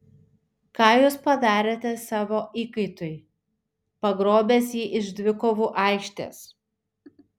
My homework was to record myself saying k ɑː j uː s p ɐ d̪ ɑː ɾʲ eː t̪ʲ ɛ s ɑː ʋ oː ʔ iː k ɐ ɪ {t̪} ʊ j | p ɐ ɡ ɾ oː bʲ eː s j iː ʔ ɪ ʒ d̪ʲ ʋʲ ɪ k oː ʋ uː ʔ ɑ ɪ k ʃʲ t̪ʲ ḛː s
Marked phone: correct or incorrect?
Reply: correct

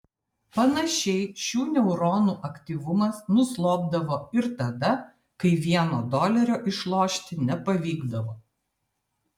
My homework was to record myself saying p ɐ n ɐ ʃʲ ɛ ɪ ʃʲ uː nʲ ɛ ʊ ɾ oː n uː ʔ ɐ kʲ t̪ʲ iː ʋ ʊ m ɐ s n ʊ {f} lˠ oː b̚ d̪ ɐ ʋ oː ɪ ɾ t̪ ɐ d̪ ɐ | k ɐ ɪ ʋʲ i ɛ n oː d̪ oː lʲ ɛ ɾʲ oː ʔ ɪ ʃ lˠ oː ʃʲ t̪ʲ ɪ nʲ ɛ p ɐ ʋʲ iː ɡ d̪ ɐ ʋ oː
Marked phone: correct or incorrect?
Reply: incorrect: s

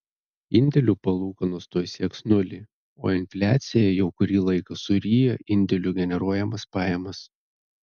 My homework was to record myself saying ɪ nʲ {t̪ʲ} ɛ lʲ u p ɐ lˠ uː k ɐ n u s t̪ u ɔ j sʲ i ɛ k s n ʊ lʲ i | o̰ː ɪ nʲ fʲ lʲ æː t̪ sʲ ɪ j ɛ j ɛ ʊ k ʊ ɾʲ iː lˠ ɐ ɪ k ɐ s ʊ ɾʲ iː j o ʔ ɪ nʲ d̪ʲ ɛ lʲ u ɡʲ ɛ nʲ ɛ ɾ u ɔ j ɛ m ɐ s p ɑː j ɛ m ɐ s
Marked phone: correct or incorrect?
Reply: incorrect: d̪ʲ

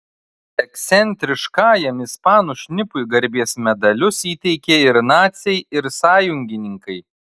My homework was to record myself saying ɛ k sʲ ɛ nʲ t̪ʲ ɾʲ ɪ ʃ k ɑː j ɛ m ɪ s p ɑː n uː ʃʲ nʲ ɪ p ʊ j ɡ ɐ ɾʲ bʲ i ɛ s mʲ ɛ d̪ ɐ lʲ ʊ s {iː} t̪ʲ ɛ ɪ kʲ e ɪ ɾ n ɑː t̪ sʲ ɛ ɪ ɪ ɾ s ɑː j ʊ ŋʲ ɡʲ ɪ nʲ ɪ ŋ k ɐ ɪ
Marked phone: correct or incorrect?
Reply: correct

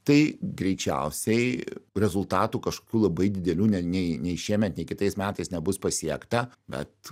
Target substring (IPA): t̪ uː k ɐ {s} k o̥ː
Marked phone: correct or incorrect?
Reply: incorrect: ʃ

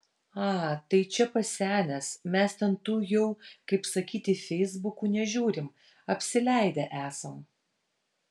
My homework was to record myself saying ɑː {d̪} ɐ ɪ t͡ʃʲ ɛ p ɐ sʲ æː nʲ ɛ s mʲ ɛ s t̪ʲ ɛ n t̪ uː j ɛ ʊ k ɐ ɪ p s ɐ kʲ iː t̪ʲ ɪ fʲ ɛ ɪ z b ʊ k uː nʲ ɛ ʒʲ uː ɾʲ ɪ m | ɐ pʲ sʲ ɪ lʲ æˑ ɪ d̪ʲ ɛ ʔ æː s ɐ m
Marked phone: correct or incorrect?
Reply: incorrect: t̪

